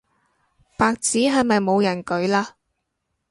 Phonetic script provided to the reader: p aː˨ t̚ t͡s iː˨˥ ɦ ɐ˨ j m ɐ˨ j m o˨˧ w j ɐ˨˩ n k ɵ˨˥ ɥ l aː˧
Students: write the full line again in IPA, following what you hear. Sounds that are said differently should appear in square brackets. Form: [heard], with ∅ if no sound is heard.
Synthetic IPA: p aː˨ [k̚] t͡s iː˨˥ ɦ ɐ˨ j m ɐ˨ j m o˨˧ w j ɐ˨˩ n k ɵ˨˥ ɥ l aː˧